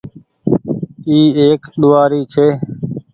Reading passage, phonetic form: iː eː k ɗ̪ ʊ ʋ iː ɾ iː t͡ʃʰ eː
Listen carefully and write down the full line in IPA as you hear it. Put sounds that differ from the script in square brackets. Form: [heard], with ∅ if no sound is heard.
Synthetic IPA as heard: iː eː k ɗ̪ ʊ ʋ [aː] ɾ iː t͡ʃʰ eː